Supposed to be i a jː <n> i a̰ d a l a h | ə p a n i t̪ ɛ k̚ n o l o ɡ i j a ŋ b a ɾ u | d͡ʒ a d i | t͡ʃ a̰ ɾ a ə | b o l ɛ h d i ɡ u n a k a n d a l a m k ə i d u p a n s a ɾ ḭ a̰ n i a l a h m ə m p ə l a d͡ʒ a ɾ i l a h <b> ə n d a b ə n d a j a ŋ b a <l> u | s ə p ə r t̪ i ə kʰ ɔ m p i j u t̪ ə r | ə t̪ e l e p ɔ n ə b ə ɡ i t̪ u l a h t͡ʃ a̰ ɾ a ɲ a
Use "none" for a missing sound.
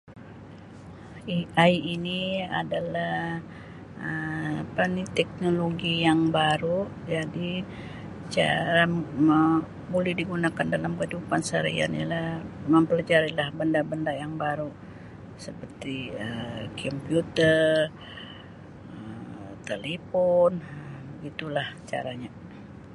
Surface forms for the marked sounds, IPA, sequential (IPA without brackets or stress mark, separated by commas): n, b, ɾ